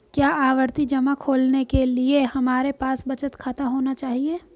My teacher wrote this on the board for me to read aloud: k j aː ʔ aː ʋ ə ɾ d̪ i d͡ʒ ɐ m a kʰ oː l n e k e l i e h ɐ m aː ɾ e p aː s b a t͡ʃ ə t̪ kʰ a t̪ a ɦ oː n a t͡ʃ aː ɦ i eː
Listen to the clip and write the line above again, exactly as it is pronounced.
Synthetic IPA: k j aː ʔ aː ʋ ə ɾ t̪ i d͡ʒ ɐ m a kʰ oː l n e k e l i e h ɐ m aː ɾ e p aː s b ɐ t͡ʃ ə t̪ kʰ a t̪ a ɦ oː n a t͡ʃ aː ɦ i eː

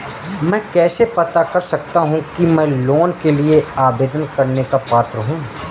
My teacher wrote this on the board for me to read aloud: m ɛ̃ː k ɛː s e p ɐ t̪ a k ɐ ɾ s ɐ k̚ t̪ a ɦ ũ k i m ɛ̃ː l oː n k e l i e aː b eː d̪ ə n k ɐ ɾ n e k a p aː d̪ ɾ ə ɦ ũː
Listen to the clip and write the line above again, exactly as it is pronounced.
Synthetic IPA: m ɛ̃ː k ɛː s e p ɐ t̪ a k ɐ ɾ s ɐ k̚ t̪ a ɦ ũ k i m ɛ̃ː l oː n k e l i e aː b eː d̪ ə n k ɐ ɾ n e k a p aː t̪ ɾ ə ɦ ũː

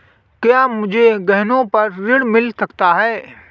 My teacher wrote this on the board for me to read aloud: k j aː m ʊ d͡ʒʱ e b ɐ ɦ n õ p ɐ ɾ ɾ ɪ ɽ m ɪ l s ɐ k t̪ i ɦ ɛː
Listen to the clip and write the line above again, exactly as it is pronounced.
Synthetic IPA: k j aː m ʊ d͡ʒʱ e ɡ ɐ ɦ n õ p ɐ ɾ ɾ ɪ ɽ m ɪ l s ɐ k t̪ a ɦ ɛː

